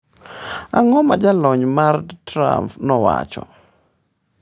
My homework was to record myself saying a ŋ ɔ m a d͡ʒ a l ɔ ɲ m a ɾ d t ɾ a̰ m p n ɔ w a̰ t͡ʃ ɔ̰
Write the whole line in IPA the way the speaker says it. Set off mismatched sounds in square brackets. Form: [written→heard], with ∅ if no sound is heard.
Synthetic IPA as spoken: a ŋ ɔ m a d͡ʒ a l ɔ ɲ m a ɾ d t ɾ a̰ m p n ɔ w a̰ t͡ʃ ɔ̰